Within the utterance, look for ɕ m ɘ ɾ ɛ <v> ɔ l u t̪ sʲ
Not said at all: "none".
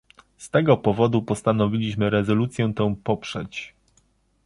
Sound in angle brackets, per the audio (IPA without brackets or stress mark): z